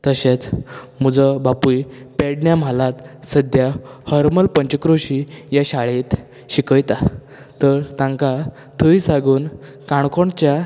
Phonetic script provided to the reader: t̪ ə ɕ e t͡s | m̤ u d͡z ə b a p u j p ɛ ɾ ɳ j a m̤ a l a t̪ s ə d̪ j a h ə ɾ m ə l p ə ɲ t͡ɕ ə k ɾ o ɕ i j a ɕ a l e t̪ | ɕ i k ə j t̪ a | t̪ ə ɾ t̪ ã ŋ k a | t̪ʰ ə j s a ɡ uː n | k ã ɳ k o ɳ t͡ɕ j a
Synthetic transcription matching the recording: t̪ ə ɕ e t͡s | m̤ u d͡z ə b a p u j p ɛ ɽ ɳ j a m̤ a l a t̪ s ə d̪ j a h ə ɾ m ə l p ə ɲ t͡ɕ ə k ɾ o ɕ i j a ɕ a ɭ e t̪ | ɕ i k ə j t̪ a | t̪ ə ɾ t̪ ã ŋ k a | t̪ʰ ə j s a ɡ uː n | k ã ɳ k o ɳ t͡ɕ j a